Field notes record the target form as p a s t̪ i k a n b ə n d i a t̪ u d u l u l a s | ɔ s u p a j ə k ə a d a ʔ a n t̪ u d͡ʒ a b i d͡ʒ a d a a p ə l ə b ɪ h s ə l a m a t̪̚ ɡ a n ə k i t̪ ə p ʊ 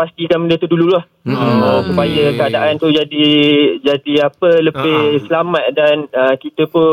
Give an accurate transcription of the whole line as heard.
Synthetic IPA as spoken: p a s t̪ i k a n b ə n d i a t̪ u d u l u l a h | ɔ s u p a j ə k ə a d a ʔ a n t̪ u d͡ʒ a d i d͡ʒ a d i a p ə l ə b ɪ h s ə l a m a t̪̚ d a n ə k i t̪ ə p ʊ